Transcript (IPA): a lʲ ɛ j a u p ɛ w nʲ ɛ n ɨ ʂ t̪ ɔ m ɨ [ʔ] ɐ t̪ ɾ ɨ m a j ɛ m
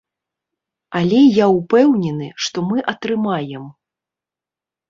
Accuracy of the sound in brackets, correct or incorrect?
correct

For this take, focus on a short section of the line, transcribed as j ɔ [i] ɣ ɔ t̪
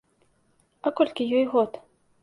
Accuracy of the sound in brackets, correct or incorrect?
incorrect: j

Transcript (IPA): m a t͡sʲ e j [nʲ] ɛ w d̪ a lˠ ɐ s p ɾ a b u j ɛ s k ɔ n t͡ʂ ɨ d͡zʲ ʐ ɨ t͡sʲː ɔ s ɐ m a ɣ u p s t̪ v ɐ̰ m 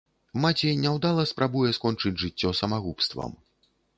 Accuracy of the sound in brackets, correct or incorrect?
correct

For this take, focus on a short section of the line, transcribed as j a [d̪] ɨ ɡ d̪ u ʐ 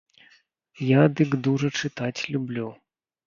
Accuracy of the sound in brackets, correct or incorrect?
correct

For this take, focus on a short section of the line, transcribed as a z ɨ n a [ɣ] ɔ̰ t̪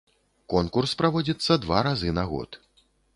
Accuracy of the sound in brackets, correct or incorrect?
correct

